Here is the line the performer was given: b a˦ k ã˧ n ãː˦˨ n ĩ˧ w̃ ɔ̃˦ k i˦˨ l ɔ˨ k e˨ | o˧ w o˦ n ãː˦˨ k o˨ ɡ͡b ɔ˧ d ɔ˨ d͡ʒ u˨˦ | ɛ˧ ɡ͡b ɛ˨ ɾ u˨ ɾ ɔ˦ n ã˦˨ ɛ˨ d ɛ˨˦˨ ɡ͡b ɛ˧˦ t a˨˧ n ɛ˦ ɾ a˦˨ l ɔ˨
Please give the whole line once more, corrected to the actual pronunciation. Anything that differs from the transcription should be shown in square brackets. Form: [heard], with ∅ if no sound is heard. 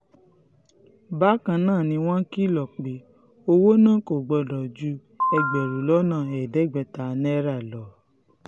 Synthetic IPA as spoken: b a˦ k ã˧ n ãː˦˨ n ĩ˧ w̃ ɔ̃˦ k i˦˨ l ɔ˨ [k͡p] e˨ | o˧ w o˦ n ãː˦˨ k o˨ ɡ͡b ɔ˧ d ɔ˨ d͡ʒ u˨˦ | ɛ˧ ɡ͡b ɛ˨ ɾ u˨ [l] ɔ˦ n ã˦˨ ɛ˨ d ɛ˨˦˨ ɡ͡b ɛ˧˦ t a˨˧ n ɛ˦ ɾ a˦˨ l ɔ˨

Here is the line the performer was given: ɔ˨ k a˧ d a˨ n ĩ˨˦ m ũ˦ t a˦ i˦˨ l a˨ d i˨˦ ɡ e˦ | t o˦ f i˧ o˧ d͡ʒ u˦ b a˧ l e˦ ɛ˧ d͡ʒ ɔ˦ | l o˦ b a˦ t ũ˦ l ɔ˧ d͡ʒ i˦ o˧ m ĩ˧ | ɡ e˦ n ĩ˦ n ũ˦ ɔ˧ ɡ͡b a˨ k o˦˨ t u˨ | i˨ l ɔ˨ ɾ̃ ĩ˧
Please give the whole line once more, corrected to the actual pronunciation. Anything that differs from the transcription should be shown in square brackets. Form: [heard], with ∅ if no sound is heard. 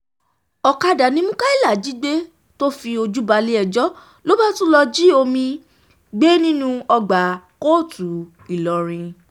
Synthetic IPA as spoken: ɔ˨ k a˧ d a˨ n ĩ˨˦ m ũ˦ [k] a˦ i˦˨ l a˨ [d͡ʒ] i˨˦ [ɡ͡b] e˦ | t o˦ f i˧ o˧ d͡ʒ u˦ b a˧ l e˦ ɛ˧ d͡ʒ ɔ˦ | l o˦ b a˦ t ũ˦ l ɔ˧ d͡ʒ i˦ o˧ m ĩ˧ | [ɡ͡b] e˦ n ĩ˦ n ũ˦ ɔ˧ ɡ͡b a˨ k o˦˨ t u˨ | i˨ l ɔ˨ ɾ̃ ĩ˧

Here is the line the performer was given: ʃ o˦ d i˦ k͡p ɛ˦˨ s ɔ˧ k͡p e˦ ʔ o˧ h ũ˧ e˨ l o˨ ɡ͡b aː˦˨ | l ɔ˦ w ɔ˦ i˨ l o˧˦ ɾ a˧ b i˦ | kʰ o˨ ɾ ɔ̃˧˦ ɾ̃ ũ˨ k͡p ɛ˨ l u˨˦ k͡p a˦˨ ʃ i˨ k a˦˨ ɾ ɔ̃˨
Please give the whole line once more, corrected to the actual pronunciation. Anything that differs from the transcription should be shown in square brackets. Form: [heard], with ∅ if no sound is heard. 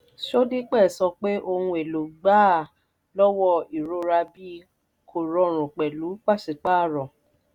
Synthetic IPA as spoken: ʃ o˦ d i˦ k͡p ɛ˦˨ s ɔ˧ k͡p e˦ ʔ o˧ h ũ˧ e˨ l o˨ ɡ͡b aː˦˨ | l ɔ˦ w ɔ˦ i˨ [ɾ] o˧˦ ɾ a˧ b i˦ | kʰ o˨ ɾ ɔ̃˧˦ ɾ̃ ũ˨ k͡p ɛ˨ l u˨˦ k͡p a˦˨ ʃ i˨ [k͡p] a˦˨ ɾ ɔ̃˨

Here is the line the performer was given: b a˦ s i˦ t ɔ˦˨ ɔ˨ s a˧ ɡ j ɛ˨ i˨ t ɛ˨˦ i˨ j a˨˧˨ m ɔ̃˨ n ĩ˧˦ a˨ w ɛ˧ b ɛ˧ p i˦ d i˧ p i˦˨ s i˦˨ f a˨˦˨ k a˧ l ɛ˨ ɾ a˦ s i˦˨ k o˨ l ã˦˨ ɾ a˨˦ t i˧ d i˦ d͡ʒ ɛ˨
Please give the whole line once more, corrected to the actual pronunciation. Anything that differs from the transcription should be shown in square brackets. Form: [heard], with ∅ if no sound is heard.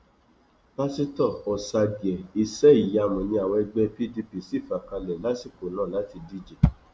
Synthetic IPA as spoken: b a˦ s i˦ t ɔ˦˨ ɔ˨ s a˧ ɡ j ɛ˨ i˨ [s] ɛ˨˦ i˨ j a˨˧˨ m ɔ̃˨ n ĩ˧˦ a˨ w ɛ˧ [ɡ͡b] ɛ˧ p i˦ d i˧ p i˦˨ s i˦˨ f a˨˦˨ k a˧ l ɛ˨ [l] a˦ s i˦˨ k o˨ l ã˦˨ [l] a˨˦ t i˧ d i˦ d͡ʒ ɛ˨

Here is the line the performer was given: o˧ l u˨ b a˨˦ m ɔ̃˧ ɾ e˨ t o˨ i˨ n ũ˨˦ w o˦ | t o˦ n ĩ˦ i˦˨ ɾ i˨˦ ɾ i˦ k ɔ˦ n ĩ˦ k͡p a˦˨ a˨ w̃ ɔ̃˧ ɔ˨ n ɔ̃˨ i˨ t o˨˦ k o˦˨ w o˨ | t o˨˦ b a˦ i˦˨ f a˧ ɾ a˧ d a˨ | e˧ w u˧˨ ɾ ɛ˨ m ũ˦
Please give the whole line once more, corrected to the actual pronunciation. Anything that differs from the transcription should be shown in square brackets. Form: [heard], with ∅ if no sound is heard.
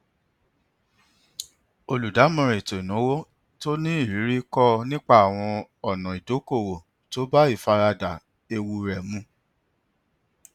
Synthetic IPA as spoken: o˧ l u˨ [d] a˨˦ m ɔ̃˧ ɾ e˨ t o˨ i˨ n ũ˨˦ w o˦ | t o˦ n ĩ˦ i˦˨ ɾ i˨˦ ɾ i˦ k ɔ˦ n ĩ˦ k͡p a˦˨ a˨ w̃ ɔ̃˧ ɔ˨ n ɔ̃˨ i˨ [d] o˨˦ k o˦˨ w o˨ | t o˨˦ b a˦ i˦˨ f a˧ ɾ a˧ d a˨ | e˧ w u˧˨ ɾ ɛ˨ m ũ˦

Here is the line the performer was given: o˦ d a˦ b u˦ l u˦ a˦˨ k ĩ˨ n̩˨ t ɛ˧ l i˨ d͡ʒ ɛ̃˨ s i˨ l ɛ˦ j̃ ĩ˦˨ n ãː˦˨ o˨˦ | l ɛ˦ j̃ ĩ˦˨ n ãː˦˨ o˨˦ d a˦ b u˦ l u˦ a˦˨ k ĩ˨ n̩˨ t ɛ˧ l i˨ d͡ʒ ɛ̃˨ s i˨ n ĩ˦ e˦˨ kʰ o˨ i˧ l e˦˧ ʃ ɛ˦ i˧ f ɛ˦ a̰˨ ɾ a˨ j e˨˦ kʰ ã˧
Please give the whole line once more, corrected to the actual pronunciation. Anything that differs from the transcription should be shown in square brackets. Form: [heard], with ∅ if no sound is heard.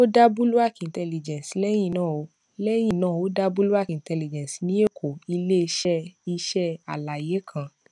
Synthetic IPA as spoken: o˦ d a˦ b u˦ l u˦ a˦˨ k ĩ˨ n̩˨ t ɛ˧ l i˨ d͡ʒ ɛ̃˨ s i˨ l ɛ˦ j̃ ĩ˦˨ n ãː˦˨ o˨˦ | l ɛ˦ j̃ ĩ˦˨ n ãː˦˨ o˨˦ d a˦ b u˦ l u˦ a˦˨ k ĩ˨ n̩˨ t ɛ˧ l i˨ d͡ʒ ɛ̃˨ s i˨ n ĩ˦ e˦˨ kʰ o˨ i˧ l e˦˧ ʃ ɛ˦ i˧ [ʃ] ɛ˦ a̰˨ [l] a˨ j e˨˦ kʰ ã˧

